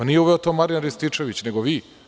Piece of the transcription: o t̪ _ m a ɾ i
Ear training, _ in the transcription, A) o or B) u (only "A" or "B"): A